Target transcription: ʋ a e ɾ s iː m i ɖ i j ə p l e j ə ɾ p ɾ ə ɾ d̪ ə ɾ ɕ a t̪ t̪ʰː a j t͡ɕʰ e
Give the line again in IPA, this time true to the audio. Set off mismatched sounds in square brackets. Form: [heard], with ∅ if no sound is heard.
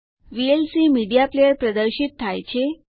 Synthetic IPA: ʋ [i] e [l] s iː m i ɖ i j [a] p l e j ə ɾ p ɾ ə [∅] d̪ ə ɾ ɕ [i] t̪ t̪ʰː a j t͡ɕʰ e